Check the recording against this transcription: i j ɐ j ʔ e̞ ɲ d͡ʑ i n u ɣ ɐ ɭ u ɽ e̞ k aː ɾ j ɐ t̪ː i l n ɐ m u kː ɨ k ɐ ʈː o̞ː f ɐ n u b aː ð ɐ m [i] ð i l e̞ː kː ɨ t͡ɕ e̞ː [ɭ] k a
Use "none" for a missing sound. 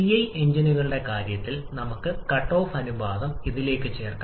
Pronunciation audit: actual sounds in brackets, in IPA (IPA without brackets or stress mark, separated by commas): i, r